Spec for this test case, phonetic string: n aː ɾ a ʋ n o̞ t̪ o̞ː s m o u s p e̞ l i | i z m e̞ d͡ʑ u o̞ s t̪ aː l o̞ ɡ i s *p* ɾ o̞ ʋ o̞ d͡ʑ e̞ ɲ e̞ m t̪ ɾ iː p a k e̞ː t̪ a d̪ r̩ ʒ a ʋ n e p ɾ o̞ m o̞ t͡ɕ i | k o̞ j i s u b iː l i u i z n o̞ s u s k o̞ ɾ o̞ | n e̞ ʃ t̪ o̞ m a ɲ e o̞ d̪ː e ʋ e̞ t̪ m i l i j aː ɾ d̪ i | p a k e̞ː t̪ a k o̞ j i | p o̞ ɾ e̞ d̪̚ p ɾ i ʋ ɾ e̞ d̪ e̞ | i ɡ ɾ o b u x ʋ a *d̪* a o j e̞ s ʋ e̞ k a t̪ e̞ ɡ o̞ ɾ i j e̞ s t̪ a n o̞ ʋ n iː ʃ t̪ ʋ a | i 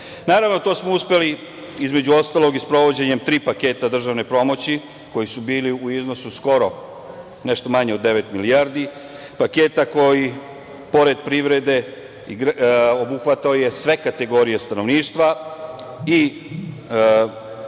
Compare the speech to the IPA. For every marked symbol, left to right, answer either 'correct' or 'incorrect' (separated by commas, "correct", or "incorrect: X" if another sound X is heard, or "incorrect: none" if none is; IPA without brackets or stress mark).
correct, incorrect: t̪